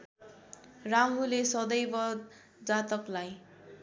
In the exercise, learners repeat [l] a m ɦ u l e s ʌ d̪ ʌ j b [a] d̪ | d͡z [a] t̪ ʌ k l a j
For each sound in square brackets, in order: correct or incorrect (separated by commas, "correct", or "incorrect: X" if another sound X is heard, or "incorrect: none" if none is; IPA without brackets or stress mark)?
incorrect: r, incorrect: ʌ, correct